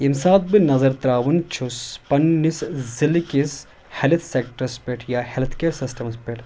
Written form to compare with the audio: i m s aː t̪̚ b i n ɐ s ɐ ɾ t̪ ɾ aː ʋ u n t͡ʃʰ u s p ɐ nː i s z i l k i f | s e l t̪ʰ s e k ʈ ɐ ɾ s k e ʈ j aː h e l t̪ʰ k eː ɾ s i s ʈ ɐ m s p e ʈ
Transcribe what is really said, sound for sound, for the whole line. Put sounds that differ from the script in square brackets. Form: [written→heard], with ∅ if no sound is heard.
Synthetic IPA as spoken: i m s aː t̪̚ b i n ɐ [s→z] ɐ ɾ t̪ ɾ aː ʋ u n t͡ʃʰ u s p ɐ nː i s z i l k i [f→s] | [s→h] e l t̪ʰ s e k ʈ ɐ ɾ s [k→p] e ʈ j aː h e l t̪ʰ k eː ɾ s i s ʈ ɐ m s p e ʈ